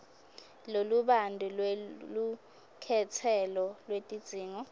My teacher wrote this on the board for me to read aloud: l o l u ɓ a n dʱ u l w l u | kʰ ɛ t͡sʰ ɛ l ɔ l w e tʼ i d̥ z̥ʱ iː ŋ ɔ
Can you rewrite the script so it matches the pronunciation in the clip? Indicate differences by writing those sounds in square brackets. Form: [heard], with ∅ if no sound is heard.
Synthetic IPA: l o l u ɓ a n dʱ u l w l u | kʰ ɛ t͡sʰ ɛ l ɔ l w e tʼ i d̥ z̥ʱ iː ŋ ɔ